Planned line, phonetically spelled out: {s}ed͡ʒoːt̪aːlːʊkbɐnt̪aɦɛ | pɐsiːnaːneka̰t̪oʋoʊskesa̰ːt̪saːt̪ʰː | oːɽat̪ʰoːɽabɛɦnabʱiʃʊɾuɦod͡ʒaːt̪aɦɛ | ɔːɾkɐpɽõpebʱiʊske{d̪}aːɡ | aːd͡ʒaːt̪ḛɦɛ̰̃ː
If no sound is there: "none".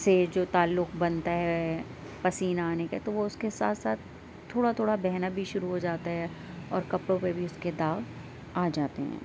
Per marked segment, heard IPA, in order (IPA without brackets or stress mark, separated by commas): s, d̪